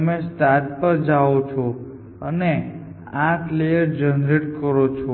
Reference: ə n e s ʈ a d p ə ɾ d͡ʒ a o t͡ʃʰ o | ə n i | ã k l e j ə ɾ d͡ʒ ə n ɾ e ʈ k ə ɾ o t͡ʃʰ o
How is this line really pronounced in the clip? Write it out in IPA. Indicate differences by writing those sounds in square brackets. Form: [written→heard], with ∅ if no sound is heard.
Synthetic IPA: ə [n→m] e s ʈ a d p ə ɾ d͡ʒ a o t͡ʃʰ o | ə n [i→e] | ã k l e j ə ɾ d͡ʒ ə n ɾ e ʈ k ə ɾ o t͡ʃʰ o

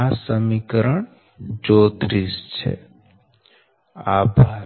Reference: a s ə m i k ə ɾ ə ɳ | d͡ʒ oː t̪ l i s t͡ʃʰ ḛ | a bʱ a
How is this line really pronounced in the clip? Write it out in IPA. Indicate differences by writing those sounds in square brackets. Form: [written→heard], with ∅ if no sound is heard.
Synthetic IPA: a s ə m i k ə ɾ ə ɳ | d͡ʒ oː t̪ [l→ɾ] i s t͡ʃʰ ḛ | a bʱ a

